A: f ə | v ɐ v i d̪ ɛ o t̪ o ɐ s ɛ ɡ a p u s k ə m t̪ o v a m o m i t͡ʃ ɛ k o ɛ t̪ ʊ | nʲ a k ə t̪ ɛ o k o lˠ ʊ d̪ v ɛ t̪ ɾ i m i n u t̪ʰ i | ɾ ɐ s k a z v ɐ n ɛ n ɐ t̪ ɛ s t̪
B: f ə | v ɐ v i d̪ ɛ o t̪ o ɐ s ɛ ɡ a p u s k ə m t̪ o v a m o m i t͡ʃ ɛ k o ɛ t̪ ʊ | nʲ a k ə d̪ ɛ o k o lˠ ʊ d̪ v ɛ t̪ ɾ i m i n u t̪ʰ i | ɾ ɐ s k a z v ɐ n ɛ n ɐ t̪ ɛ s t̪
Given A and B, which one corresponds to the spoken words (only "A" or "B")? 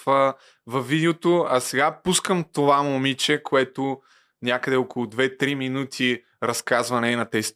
B